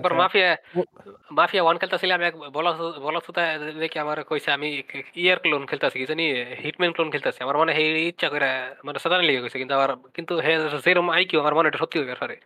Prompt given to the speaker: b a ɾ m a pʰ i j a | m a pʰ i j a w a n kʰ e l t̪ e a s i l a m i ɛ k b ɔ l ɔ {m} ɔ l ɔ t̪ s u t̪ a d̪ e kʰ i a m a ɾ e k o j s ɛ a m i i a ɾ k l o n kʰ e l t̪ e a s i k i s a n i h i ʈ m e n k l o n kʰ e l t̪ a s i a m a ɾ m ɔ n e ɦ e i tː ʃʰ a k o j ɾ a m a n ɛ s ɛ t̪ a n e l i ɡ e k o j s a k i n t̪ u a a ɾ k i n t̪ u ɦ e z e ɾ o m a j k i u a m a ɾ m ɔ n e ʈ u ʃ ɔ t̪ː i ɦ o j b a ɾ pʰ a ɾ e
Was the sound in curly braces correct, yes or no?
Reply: no